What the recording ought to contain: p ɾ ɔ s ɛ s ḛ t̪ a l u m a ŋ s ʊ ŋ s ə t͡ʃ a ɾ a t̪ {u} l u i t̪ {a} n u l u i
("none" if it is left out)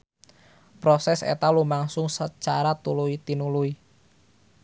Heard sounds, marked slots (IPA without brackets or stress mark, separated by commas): u, i